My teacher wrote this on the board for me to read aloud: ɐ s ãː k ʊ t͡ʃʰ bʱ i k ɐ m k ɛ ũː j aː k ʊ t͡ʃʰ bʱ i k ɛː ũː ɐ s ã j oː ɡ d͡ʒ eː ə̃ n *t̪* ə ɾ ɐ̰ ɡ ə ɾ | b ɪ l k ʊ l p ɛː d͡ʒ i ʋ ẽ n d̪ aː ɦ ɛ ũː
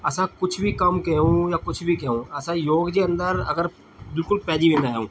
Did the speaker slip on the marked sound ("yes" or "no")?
yes